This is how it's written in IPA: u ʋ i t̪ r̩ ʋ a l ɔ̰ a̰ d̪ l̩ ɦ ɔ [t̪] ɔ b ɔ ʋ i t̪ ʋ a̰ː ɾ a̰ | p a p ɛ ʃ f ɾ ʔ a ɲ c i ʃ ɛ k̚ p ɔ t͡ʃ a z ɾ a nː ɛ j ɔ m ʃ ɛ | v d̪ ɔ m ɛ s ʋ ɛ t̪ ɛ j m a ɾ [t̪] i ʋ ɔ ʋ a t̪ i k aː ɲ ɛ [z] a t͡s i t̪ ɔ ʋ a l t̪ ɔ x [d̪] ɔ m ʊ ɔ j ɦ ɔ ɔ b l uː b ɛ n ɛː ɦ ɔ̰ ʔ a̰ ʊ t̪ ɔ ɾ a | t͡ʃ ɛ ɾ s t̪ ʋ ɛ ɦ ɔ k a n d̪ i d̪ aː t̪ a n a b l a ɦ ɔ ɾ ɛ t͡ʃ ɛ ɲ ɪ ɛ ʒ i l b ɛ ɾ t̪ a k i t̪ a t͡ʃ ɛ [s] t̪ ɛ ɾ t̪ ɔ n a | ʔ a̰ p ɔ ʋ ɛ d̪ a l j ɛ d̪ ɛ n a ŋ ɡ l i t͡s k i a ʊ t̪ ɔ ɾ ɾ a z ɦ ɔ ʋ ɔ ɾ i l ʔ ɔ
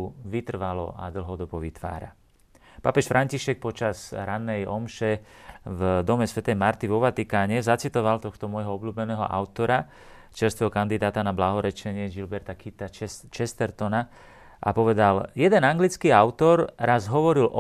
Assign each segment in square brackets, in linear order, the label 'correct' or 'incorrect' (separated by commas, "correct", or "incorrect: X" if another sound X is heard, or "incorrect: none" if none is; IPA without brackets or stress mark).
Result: incorrect: d̪, correct, correct, incorrect: t̪, correct